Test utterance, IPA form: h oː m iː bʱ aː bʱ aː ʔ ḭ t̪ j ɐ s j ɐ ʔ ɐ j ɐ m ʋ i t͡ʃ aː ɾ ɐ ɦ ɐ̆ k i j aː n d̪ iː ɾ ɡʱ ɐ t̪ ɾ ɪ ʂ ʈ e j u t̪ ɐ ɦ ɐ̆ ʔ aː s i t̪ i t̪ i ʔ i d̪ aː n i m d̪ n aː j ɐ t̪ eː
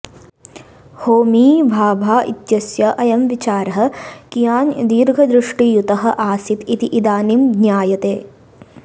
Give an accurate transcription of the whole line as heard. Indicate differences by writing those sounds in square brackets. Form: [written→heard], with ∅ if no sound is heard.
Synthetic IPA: h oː m iː bʱ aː bʱ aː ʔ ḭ t̪ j ɐ s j ɐ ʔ ɐ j ɐ m ʋ i t͡ʃ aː ɾ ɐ ɦ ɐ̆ k i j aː n d̪ iː ɾ ɡʱ ɐ [t̪→d̪] ɾ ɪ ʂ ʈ [e→i] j u t̪ ɐ ɦ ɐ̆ ʔ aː s i t̪ i t̪ i ʔ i d̪ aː n i m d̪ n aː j ɐ t̪ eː